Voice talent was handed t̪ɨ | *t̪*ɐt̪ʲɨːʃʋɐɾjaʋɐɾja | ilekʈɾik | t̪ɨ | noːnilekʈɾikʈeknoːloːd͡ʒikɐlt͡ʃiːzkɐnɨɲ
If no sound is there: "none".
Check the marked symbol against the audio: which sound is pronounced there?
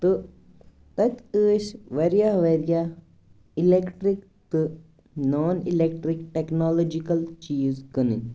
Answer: t̪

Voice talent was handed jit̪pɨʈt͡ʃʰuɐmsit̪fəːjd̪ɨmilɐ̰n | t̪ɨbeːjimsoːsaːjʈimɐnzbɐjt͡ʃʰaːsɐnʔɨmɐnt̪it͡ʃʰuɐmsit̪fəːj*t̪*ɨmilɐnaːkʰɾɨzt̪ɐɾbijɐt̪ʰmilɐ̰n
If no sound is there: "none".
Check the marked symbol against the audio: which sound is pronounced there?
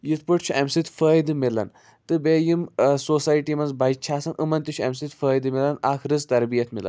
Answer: d̪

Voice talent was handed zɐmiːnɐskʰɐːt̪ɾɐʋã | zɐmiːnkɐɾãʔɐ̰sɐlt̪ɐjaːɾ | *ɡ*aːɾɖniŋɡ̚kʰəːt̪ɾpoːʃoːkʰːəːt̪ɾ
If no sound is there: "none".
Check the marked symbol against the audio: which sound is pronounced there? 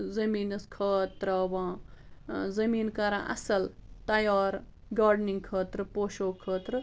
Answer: ɡ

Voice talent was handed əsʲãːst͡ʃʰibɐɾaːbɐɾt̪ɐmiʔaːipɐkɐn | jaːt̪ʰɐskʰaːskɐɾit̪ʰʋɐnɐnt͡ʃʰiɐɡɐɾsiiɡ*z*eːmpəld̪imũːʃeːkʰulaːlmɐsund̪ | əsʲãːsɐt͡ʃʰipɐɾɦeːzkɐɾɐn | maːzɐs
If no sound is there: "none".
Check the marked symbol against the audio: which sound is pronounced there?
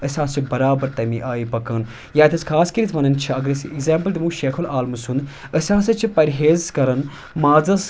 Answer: z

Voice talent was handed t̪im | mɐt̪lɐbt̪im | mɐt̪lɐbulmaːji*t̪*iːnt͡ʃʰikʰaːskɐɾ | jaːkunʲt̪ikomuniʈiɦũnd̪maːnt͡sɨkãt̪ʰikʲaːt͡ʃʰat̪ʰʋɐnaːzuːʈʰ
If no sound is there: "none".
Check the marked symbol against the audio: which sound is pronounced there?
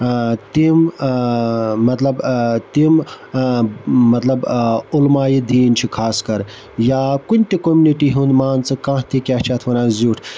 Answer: d̪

